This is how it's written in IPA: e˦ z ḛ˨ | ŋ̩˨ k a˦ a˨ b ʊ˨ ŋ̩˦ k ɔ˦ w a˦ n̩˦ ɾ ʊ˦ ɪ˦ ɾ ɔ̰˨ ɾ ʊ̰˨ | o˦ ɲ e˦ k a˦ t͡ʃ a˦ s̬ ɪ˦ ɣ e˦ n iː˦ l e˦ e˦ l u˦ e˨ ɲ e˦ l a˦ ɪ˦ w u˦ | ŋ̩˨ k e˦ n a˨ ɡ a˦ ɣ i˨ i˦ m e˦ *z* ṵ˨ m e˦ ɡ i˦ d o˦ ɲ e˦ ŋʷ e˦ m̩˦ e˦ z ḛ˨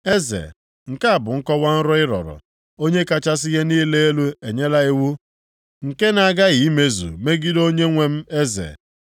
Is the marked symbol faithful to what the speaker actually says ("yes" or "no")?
yes